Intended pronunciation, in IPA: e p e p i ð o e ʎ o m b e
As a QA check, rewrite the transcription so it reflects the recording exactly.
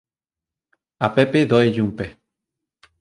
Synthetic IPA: a p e p e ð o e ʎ u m p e

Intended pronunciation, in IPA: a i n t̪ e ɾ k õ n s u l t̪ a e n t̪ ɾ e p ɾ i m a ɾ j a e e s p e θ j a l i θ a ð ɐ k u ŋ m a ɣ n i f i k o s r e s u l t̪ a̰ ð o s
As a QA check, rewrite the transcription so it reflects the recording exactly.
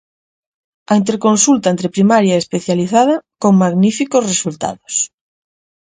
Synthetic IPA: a i n t̪ e ɾ k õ n s u l t̪ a e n t̪ ɾ e p ɾ i m a ɾ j a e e s p e θ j a l i θ a ð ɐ k o ŋ m a ɣ n i f i k o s r e s u l t̪ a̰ ð o s

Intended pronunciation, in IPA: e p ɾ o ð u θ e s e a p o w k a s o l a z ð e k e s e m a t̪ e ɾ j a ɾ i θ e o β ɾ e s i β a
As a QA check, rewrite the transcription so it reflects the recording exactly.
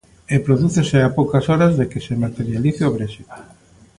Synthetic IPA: e p ɾ o ð u θ e s e a p o w k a s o ɾ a z ð e k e s e m a t̪ e ɾ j a l i θ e o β ɾ e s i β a

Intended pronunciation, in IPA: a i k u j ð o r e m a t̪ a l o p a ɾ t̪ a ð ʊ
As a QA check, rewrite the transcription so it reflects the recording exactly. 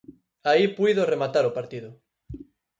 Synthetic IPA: a i p u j ð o r e m a t̪ a ɾ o p a ɾ t̪ i ð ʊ

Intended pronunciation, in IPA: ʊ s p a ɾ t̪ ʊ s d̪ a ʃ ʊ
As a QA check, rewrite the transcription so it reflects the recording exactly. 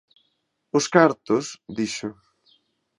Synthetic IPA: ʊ s k a ɾ t̪ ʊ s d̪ i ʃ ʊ

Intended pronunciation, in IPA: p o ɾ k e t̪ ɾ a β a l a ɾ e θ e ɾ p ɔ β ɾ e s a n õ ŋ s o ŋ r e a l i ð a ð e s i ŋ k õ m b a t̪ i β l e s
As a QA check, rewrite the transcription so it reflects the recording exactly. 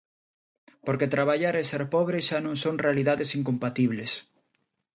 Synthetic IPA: p o ɾ k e t̪ ɾ a β a ʎ a ɾ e s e ɾ p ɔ β ɾ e ʃ a n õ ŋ s o ŋ r e a l i ð a ð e s i ŋ k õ m p a t̪ i β l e s

